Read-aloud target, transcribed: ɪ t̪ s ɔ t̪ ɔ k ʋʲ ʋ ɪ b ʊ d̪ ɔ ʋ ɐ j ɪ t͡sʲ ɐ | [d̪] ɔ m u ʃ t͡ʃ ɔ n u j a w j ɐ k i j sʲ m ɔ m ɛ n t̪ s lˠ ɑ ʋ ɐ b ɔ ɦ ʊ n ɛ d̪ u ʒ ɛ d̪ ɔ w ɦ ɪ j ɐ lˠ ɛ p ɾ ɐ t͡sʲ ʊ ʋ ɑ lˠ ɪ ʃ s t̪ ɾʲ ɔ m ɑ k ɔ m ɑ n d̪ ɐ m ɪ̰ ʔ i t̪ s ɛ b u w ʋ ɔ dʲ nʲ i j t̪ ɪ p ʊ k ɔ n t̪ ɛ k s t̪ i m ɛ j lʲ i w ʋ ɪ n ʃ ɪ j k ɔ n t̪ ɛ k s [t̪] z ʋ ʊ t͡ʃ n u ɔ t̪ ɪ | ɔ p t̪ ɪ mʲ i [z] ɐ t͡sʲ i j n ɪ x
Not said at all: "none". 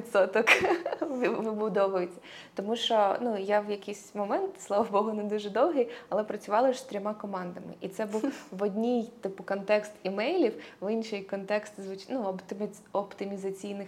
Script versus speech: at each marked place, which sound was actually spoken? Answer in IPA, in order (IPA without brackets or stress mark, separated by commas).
t̪, t̪, z